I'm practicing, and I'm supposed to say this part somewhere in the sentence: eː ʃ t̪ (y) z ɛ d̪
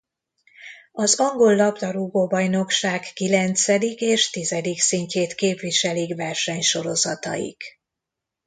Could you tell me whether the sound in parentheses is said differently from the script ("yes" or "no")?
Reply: yes